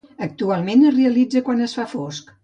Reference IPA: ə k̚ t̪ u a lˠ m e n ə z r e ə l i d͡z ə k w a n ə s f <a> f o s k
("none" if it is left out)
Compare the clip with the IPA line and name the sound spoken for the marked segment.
a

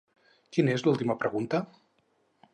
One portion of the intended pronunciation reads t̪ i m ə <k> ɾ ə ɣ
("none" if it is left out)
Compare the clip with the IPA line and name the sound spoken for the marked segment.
p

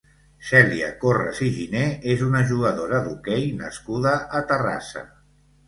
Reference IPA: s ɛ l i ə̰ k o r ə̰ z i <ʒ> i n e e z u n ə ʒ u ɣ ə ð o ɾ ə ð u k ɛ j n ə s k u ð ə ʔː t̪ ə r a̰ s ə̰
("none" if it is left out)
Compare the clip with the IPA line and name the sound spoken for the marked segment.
ʒ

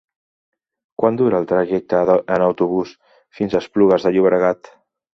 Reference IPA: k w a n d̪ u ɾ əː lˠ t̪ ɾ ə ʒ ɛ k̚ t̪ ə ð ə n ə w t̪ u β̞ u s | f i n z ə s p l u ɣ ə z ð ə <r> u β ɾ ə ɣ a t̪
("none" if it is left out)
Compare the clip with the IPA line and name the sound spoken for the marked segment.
ʎ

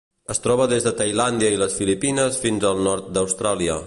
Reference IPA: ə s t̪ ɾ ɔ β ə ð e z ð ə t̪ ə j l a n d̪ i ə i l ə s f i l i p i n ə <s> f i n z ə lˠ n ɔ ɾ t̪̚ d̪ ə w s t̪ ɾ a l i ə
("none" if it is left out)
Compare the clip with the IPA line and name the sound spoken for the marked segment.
s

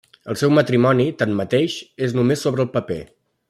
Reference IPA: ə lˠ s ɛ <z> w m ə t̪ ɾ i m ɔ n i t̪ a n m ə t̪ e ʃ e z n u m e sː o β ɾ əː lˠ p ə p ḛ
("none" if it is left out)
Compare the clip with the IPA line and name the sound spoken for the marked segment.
none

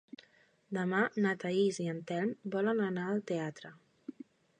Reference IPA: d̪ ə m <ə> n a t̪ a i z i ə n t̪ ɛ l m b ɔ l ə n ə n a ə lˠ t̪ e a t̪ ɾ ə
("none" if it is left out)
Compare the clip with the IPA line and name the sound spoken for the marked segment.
a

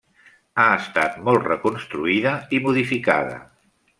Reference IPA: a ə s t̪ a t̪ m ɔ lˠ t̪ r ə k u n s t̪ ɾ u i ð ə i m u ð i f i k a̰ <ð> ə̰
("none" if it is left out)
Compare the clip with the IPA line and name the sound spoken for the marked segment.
ð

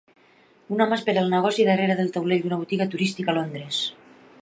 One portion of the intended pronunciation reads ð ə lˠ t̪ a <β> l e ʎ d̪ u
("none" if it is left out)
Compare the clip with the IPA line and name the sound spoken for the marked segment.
w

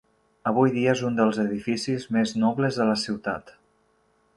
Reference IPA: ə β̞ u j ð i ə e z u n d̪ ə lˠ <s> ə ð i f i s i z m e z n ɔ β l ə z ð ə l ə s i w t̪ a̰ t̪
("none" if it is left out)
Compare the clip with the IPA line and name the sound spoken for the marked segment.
z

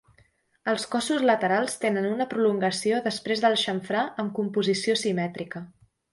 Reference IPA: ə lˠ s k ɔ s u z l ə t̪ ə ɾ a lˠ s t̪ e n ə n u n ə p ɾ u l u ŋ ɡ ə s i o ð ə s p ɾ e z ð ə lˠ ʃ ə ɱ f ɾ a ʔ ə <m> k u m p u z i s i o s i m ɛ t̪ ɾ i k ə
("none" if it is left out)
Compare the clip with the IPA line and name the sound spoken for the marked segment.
m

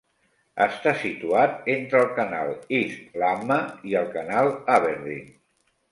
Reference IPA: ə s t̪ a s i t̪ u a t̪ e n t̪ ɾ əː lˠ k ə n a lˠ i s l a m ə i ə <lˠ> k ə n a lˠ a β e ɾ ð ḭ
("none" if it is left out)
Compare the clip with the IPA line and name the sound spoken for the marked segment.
lˠ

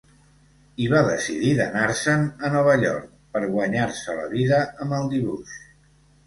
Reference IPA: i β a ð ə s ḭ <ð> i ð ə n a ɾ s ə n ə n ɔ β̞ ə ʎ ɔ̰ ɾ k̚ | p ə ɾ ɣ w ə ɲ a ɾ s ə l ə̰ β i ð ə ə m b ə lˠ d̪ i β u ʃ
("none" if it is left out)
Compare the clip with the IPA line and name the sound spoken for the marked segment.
ð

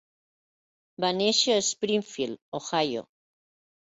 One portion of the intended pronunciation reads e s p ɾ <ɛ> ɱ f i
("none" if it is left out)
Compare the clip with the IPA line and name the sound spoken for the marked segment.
i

